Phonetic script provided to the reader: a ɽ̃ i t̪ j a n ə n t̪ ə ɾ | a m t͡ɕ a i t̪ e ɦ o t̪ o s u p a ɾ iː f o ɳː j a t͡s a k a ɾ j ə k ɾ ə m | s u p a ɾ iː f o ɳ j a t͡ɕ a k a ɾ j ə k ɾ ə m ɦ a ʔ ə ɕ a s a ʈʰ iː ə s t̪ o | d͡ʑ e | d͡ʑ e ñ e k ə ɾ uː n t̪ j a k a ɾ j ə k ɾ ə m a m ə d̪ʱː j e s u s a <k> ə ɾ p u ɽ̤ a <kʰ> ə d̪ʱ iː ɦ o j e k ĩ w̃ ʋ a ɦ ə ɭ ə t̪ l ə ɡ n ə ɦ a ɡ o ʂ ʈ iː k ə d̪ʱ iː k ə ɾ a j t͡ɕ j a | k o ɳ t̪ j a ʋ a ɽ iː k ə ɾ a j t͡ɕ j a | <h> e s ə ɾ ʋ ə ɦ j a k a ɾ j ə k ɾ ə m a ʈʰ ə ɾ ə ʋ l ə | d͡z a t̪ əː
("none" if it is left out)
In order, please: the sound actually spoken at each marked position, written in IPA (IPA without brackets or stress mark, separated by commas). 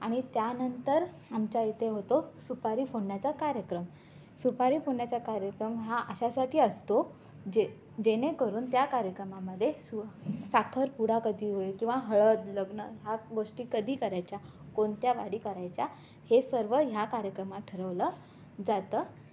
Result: kʰ, k, h